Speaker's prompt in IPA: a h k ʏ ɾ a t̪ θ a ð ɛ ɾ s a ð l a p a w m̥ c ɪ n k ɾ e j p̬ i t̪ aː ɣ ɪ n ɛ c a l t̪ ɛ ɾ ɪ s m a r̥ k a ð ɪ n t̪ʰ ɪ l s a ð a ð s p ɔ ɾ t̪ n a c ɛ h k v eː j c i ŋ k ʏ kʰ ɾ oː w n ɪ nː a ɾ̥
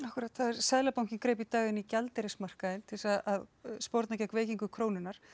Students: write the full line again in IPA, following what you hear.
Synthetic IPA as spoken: a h k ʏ ɾ a t̪ θ a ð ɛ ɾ s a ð l a p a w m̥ c ɪ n k ɾ e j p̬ i t̪ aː ɣ ɪ n i c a l t̪ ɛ ɾ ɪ s m a r̥ k a ð ɪ n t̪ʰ ɪ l s a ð a ð s p ɔ ɾ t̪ n a c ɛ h k v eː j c i ŋ k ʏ kʰ ɾ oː w n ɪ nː a ɾ̥